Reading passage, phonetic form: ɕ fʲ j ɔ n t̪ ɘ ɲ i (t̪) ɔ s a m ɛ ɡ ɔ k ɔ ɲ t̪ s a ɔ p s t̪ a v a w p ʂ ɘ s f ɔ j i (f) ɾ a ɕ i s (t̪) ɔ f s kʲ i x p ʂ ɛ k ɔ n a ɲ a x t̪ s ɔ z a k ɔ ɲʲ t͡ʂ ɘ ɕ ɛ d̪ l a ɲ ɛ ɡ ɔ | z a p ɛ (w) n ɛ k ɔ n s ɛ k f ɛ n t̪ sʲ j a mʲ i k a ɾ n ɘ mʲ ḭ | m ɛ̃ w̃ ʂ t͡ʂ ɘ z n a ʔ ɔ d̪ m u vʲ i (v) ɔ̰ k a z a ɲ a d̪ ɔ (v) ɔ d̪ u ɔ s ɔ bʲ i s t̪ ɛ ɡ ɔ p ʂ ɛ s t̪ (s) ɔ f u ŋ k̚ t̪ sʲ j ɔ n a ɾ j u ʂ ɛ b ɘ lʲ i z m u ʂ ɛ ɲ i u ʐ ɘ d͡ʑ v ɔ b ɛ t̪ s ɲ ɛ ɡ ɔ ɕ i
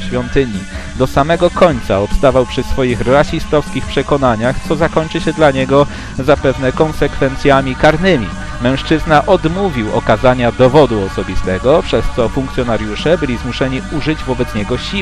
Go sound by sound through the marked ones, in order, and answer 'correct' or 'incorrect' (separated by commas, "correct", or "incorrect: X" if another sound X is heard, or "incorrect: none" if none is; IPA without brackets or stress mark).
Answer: incorrect: d̪, incorrect: x, correct, incorrect: v, incorrect: w, correct, correct